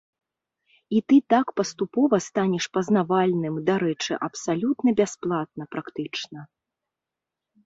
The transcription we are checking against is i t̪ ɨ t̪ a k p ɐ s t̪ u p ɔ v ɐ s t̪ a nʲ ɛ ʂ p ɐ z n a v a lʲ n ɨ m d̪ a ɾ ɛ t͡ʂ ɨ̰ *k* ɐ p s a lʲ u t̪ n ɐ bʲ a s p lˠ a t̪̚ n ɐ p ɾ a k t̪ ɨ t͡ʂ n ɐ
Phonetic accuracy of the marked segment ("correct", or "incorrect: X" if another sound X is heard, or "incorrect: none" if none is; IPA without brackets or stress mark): incorrect: ʔ